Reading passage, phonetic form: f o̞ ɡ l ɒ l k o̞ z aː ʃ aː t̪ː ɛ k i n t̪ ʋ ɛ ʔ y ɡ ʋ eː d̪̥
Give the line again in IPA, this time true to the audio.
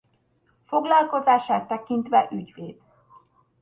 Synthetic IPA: f o̞ ɡ l ɒ l k o̞ z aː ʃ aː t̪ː ɛ k i n t̪ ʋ ɛ ʔ y ɟ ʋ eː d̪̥